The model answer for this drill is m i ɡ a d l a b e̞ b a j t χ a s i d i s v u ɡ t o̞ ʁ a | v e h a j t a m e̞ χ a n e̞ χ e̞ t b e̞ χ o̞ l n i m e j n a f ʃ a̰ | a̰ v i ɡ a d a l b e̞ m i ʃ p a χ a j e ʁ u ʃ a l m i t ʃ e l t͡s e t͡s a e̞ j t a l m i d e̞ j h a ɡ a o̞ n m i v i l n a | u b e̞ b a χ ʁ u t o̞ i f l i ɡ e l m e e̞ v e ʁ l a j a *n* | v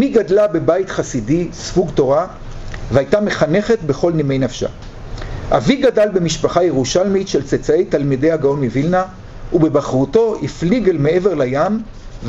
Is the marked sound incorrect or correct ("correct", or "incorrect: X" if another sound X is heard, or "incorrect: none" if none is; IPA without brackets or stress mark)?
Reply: incorrect: m